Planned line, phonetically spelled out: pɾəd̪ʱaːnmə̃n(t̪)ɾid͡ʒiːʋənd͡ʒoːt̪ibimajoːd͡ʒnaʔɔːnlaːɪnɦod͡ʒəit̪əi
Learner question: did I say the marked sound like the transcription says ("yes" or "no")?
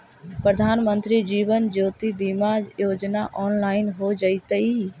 yes